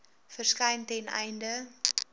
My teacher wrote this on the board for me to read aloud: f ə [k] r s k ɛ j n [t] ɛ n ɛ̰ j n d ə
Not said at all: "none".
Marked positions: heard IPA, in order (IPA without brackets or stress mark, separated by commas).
none, t